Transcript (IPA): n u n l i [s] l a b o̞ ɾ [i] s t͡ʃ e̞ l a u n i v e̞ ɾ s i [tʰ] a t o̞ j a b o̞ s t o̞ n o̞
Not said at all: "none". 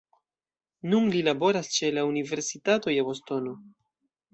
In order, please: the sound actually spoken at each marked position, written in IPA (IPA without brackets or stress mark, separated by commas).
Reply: none, a, t